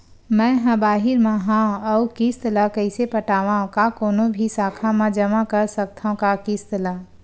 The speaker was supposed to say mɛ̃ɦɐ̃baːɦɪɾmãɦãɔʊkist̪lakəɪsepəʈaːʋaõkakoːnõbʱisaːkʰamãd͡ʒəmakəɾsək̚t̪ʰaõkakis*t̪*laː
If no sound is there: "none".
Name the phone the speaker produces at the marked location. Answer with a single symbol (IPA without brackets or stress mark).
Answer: t̪